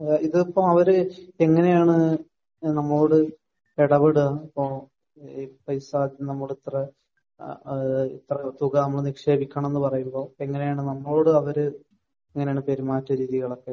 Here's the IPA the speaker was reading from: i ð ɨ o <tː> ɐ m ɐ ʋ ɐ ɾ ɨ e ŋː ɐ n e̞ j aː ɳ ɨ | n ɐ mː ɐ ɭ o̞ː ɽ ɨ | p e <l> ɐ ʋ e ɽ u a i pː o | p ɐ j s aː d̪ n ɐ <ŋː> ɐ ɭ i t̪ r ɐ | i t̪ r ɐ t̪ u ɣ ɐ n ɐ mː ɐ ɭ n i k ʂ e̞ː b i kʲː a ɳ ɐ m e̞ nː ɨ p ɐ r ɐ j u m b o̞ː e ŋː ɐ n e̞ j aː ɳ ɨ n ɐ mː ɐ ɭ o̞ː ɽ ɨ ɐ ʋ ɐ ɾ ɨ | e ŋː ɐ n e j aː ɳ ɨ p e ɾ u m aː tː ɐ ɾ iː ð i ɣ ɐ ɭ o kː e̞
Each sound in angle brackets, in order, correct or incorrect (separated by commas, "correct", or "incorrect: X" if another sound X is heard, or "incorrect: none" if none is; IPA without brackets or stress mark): incorrect: pː, incorrect: ɽ, incorrect: mː